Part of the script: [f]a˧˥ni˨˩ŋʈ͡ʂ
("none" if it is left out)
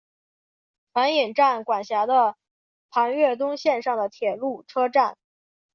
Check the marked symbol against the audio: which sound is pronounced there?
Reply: f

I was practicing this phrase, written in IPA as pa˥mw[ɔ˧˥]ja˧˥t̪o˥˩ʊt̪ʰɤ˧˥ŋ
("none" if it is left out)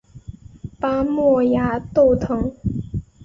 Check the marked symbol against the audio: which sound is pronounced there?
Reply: ɔ˥˩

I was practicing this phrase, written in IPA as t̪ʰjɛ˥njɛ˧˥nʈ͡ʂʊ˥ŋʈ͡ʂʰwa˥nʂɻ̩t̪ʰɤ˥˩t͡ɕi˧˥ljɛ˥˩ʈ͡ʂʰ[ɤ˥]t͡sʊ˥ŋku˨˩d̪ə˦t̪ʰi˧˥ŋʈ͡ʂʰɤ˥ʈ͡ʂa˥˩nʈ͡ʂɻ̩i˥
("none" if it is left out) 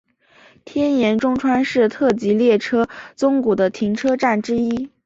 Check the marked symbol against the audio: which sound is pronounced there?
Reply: ɤ˥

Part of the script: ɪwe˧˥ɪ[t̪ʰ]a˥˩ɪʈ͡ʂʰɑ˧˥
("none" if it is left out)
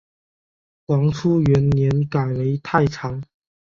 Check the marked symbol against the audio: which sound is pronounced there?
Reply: t̪ʰ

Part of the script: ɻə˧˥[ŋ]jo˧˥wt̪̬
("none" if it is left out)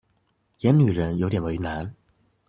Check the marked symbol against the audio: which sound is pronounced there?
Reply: n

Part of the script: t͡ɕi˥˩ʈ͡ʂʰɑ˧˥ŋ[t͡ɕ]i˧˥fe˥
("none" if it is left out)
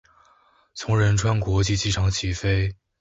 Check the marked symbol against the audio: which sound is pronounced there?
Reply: t͡ɕʰ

